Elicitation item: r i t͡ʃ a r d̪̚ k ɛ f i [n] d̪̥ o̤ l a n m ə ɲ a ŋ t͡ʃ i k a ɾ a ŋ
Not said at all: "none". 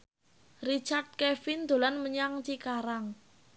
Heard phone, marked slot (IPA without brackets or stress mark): n